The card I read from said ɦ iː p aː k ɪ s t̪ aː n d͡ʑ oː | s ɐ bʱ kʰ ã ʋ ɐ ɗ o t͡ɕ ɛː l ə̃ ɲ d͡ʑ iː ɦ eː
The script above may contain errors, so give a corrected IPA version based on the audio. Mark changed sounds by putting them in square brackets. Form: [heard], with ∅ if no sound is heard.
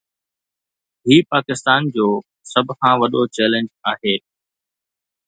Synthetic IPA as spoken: ɦ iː p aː k ɪ s t̪ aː n d͡ʑ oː | s ɐ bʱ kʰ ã ʋ ɐ ɗ o t͡ɕ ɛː l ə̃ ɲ d͡ʑ [aː] ɦ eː

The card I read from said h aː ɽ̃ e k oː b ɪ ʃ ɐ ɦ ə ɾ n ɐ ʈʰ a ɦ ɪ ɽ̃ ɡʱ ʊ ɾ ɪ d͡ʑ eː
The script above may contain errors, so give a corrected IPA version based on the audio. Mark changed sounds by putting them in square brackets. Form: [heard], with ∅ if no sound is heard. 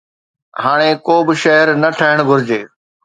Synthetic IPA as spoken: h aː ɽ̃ e k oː b ɪ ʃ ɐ ɦ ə ɾ n ɐ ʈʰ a ɦ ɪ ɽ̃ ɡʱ ʊ ɾ ɪ d͡ʑ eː

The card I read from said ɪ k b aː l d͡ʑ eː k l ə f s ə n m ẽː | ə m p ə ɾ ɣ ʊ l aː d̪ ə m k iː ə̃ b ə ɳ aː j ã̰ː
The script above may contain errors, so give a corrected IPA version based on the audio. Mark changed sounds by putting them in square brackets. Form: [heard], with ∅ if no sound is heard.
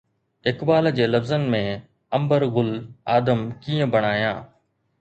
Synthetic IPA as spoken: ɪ k b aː l d͡ʑ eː [∅] l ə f [z] ə n m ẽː | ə m [b] ə ɾ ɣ ʊ l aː d̪ ə m k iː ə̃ b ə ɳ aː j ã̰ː

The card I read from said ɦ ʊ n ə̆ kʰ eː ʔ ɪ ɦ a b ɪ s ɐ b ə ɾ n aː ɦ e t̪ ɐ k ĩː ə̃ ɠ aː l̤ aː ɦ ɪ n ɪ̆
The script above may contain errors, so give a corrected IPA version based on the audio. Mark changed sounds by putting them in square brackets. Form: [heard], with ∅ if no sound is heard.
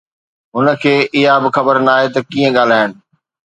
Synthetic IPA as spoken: ɦ ʊ n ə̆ kʰ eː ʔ ɪ ɦ a b ɪ [x] ɐ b ə ɾ n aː ɦ e t̪ ɐ k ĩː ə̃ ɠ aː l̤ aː ɦ ɪ n ɪ̆

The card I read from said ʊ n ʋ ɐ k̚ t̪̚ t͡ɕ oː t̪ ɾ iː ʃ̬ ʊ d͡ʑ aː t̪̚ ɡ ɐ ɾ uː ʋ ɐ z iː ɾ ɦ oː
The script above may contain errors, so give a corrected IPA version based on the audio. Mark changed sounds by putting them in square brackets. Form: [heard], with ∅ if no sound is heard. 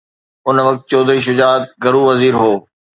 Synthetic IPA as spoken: ʊ n ʋ ɐ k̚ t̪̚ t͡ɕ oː [d̪] ɾ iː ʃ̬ ʊ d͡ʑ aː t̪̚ ɡ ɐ ɾ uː ʋ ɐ z iː ɾ ɦ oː

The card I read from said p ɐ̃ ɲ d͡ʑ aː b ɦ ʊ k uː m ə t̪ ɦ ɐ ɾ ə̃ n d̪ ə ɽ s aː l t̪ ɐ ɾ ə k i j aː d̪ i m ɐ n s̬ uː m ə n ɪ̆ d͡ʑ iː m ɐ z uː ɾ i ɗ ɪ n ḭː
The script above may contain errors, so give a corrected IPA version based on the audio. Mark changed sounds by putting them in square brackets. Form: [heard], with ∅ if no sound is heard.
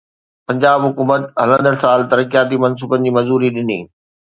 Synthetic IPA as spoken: p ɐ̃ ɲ d͡ʑ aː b ɦ ʊ k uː m ə t̪ ɦ ɐ [l] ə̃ n d̪ ə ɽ s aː l t̪ ɐ ɾ ə k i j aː [t̪] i m ɐ n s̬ uː [b] ə n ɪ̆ d͡ʑ iː m ɐ z uː ɾ i ɗ ɪ n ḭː

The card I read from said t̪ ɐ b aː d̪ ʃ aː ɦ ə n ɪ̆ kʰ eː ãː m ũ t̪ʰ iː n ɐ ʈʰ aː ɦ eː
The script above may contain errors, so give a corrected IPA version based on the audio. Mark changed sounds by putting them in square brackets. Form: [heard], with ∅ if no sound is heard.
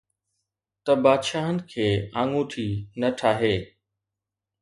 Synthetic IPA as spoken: t̪ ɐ b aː d̪ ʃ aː ɦ ə n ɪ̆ kʰ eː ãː [ŋ] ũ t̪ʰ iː n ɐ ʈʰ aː ɦ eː

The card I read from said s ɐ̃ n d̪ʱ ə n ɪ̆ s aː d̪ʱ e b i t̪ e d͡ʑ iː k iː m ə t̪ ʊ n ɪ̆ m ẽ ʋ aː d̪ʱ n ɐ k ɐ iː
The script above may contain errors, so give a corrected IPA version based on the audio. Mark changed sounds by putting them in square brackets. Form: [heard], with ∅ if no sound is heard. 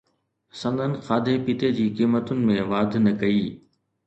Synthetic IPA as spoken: s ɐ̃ n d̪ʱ ə n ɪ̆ [x] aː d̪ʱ e [p] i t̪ e d͡ʑ iː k iː m ə t̪ ʊ n ɪ̆ m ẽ ʋ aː d̪ʱ n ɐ k ɐ iː

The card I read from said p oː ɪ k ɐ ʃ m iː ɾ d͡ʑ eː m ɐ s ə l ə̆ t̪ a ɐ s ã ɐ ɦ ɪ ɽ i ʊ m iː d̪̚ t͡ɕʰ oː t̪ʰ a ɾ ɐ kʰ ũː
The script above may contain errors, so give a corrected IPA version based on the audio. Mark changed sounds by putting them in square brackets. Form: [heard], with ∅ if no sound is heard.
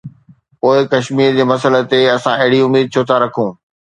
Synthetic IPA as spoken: p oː ɪ k ɐ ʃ m iː ɾ d͡ʑ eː m ɐ s ə l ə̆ t̪ [e] ɐ s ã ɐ ɦ ɪ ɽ i ʊ m iː d̪̚ t͡ɕʰ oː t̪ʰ a ɾ ɐ kʰ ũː

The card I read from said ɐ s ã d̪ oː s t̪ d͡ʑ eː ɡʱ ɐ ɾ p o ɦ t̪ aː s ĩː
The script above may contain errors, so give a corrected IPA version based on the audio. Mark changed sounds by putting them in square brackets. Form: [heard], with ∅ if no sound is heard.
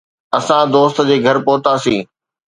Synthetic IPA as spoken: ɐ s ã d̪ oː s t̪ d͡ʑ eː ɡʱ ɐ ɾ p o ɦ t̪ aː s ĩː

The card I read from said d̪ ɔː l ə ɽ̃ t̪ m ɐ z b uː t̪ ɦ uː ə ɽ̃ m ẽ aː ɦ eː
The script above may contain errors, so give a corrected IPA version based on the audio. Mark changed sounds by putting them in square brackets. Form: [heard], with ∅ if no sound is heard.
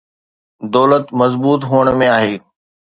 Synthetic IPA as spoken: d̪ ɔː l ə [∅] t̪ m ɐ z b uː t̪ ɦ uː ə ɽ̃ m ẽ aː ɦ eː

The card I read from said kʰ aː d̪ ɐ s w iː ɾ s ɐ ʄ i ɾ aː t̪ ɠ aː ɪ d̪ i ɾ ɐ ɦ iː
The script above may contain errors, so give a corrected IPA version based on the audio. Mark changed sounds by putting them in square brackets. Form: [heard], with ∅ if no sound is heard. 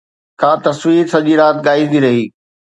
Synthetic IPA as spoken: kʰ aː [t̪] ɐ s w iː ɾ s ɐ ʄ i ɾ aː t̪ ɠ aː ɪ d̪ i ɾ ɐ ɦ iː

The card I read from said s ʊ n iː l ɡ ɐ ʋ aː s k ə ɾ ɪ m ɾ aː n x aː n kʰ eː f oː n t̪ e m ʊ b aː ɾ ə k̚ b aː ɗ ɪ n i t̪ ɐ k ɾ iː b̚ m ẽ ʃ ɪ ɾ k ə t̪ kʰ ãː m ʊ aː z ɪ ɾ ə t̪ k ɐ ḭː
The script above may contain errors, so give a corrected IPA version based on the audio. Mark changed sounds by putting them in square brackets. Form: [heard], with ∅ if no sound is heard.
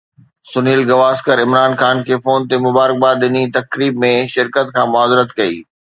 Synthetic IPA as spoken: s ʊ n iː l ɡ ɐ ʋ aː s k ə ɾ ɪ m ɾ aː n x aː n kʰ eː f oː n t̪ e m ʊ b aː ɾ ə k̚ b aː ɗ ɪ n i t̪ ɐ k ɾ iː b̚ m ẽ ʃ ɪ ɾ k ə t̪ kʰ ãː m ʊ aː z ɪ ɾ ə t̪ k ɐ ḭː

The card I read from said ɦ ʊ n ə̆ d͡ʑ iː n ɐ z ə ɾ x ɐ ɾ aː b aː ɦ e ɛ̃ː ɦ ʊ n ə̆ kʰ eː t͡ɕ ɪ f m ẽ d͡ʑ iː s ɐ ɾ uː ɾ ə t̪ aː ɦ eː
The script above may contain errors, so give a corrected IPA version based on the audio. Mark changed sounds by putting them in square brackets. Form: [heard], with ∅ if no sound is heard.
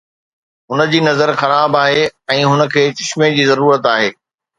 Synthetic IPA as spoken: ɦ ʊ n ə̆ d͡ʑ iː n ɐ z ə ɾ x ɐ ɾ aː b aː ɦ e ɛ̃ː ɦ ʊ n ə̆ kʰ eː t͡ɕ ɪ [ʃ] m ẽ d͡ʑ iː [z] ɐ ɾ uː ɾ ə t̪ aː ɦ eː

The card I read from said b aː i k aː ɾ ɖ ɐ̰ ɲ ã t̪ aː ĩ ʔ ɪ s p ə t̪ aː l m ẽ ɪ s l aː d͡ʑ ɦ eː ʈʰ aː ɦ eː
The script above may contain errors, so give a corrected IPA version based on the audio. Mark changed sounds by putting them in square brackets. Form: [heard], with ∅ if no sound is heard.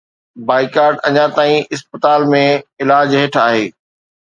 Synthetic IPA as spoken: b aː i k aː ɾ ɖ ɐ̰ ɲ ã t̪ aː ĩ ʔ ɪ s p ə t̪ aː l m ẽ ɪ [∅] l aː d͡ʑ ɦ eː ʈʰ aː ɦ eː

